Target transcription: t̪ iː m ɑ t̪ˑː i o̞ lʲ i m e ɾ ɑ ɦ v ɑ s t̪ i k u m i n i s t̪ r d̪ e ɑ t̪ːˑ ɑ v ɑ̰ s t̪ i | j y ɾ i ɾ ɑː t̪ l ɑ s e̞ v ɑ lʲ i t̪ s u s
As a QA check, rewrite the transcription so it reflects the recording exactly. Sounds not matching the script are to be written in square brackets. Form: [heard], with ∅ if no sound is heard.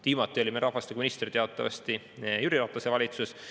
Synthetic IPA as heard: t̪ iː m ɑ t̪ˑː i o̞ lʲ i m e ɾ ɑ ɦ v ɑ s t̪ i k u m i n i s t̪ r [t̪] e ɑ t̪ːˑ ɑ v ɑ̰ s t̪ i | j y ɾ i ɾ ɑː t̪ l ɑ s e̞ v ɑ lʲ i t̪ s u s